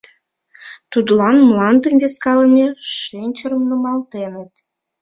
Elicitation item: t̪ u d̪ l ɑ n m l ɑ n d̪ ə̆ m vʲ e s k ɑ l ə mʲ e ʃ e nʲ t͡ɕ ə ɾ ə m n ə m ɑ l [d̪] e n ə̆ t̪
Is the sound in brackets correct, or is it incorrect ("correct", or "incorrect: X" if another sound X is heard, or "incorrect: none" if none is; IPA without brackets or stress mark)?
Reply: incorrect: t̪